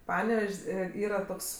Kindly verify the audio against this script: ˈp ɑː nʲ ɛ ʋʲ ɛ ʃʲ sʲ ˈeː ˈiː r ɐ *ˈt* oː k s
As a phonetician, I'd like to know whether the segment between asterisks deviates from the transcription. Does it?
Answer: no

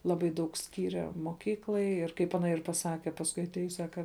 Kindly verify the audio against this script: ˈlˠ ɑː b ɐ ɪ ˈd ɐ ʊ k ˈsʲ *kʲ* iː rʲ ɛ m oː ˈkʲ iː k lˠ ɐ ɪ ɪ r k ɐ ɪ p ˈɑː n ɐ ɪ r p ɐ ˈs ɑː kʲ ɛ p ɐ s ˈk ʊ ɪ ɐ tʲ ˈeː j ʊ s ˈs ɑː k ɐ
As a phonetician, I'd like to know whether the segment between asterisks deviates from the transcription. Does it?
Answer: no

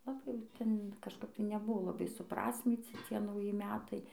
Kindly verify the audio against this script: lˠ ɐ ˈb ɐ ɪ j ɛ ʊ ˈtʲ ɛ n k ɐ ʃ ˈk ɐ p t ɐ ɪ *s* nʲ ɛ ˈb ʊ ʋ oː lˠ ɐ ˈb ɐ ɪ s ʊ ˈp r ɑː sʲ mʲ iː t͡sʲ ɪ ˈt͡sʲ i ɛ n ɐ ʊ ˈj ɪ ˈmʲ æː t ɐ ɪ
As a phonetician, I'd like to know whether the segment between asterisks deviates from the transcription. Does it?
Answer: yes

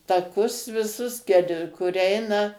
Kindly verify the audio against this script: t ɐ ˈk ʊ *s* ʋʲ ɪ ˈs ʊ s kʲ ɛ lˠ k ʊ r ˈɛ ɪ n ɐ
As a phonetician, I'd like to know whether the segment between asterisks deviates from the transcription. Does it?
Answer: no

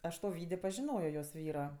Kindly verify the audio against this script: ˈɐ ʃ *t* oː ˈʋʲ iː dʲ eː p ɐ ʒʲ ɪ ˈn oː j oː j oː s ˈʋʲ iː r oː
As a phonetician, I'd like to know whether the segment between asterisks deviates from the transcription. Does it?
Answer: no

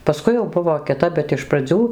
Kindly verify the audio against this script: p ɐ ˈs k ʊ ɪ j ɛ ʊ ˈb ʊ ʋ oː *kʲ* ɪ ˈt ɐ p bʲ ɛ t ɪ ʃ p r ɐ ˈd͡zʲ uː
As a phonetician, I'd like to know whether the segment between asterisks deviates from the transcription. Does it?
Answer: no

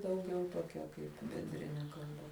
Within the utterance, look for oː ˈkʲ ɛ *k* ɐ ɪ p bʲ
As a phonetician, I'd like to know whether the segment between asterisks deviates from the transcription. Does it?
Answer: no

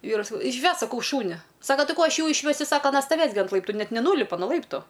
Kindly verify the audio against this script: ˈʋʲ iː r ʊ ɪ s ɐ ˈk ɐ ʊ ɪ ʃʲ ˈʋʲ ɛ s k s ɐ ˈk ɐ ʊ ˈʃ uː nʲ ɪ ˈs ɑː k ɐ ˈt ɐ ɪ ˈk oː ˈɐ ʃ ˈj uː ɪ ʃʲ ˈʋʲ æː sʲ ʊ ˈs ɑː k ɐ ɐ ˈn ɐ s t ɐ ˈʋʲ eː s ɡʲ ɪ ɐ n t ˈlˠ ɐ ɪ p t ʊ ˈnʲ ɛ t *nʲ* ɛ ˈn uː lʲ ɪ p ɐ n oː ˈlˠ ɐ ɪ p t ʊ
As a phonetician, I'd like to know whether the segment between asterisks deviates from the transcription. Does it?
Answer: no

